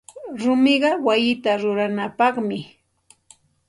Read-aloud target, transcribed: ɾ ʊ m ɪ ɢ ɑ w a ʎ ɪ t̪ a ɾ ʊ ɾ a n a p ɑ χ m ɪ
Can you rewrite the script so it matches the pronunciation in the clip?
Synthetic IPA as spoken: ɾ ʊ m ɪ ɢ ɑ w a j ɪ t̪ a ɾ ʊ ɾ a n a p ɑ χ m ɪ